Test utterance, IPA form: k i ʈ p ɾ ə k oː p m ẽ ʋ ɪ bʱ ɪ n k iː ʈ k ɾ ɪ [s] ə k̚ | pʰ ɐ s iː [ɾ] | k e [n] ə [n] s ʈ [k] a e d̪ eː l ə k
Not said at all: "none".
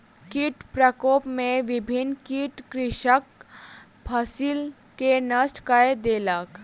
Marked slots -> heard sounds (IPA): ʃ, l, n, none, k

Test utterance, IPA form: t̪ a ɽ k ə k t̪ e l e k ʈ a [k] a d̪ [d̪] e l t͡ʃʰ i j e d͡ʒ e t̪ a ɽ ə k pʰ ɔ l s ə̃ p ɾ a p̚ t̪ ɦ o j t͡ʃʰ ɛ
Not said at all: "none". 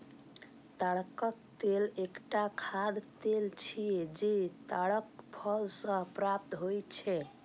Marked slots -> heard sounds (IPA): kʰ, t̪

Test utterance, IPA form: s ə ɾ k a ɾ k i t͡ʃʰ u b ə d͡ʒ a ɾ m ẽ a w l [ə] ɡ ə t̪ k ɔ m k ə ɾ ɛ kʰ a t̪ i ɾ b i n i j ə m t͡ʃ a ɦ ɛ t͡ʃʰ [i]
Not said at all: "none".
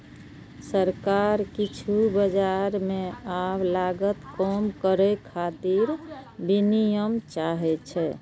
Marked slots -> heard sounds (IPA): a, ɛ

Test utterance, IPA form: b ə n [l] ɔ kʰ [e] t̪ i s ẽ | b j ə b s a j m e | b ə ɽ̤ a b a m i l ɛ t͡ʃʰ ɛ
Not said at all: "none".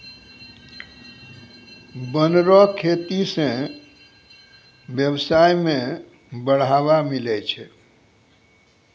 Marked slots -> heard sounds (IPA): ɾ, e

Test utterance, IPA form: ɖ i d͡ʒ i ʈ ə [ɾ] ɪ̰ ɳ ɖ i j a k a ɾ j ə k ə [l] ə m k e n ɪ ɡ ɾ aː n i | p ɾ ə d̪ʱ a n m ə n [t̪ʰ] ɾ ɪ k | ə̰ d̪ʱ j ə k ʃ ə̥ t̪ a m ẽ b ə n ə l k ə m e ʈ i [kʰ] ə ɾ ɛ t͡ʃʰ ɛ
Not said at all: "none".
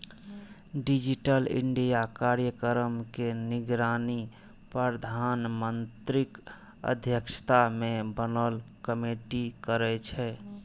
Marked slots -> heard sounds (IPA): l, ɾ, t̪, k

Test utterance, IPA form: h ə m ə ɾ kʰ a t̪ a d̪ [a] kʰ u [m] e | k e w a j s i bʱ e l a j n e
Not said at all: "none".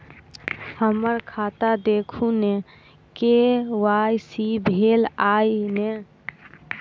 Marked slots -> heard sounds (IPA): e, n

